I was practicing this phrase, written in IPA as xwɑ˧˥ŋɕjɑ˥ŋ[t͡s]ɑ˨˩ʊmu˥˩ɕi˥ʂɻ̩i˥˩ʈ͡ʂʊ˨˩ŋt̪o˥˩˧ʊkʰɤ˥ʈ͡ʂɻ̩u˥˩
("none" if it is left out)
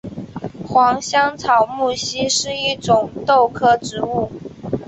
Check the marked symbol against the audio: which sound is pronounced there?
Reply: t͡sʰ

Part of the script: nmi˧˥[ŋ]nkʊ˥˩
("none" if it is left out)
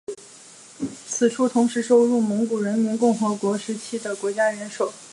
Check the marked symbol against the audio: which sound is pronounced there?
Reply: none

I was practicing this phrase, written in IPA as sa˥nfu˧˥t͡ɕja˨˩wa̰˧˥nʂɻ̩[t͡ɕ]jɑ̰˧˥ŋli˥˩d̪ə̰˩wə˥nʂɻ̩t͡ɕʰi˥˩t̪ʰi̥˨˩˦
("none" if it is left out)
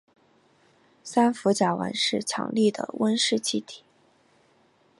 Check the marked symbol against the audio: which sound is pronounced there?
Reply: t͡ɕʰ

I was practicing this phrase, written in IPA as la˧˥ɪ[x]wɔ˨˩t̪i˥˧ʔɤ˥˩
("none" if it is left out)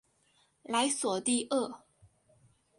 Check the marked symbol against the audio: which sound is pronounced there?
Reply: s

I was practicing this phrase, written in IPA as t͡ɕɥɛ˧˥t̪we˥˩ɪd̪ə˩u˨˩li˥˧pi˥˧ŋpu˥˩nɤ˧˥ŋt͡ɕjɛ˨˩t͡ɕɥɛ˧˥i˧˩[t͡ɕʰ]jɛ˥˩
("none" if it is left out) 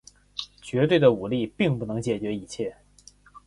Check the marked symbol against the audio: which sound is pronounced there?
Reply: t͡ɕʰ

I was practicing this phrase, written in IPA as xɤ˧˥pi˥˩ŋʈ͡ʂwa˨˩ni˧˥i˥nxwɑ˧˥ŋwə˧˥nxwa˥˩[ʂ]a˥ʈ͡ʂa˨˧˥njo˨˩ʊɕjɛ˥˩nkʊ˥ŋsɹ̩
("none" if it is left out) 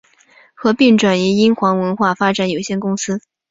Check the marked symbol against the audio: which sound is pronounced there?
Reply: f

